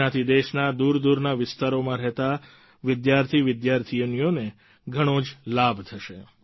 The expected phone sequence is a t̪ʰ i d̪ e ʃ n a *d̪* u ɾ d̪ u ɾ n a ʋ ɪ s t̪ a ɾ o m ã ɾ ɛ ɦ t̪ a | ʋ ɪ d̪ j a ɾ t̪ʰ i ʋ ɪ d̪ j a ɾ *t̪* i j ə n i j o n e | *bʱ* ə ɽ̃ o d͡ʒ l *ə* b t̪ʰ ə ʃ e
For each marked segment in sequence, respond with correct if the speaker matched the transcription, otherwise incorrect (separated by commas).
correct, incorrect, incorrect, incorrect